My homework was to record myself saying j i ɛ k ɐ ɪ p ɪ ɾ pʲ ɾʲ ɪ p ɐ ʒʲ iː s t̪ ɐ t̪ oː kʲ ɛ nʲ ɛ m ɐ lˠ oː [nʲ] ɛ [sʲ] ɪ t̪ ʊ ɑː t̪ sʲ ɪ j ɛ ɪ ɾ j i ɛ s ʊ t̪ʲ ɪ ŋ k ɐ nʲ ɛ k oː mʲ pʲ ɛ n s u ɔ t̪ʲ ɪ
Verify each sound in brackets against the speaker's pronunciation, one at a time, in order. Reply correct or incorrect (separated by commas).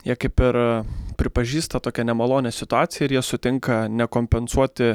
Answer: correct, correct